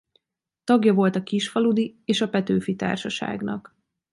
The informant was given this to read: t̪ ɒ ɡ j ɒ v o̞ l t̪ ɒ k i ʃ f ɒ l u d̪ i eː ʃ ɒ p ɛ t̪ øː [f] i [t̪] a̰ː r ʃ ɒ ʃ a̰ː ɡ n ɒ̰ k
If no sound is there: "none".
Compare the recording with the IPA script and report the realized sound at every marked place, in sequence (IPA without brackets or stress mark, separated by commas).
f, t̪